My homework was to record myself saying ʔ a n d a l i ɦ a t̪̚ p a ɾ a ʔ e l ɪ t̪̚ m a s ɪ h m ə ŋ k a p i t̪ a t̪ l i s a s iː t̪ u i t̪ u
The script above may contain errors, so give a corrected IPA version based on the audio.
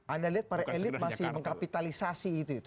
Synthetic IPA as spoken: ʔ a n d a l i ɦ a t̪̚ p a ɾ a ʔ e l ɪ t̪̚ m a s ɪ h m ə ŋ k a p i t̪ a l i s a s iː t̪ u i t̪ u